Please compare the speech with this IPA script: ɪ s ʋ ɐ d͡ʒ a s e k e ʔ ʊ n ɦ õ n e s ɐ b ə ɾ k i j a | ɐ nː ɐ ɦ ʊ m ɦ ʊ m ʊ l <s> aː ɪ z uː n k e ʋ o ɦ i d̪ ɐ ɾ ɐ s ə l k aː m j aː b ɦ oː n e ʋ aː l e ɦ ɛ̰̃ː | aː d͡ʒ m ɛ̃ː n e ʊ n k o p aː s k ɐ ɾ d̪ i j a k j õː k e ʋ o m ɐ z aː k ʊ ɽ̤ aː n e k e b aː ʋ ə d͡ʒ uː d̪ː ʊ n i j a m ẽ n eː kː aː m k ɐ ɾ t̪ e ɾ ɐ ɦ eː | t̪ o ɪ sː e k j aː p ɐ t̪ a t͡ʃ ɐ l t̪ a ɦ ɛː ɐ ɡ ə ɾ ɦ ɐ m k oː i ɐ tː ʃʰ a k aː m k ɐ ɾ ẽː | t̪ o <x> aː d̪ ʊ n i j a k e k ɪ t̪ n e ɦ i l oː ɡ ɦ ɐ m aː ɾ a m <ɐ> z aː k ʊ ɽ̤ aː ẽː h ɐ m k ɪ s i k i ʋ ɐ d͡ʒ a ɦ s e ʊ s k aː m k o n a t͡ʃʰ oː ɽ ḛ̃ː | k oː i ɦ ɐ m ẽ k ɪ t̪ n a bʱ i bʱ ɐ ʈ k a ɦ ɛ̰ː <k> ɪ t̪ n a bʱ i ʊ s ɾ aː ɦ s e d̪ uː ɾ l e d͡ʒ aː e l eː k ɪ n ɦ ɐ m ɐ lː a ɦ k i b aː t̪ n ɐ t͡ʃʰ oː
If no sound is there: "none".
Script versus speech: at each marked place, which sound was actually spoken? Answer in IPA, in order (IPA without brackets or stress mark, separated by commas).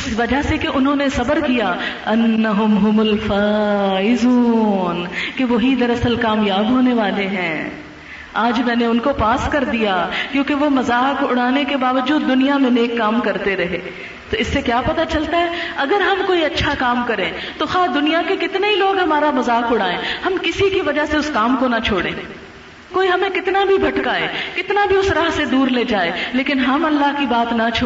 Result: f, x, ɐ, k